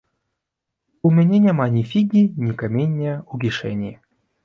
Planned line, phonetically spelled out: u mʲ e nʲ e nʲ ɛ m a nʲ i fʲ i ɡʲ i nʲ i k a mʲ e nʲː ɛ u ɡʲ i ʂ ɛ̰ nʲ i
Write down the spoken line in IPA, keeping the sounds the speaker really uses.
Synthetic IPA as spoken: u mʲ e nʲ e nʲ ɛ m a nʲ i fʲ i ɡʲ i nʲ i k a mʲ e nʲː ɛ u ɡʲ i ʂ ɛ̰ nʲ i